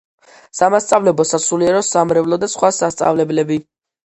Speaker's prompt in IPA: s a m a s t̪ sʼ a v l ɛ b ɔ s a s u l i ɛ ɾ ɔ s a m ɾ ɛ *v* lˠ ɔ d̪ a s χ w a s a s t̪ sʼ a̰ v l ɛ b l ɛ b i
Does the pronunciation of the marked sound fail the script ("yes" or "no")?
no